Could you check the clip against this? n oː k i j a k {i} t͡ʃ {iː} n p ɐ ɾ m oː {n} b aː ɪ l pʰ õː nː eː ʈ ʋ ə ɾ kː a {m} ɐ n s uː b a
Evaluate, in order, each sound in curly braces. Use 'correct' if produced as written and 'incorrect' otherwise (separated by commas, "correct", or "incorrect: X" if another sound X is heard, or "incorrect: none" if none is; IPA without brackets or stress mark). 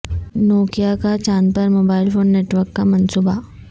incorrect: a, incorrect: aː, incorrect: none, correct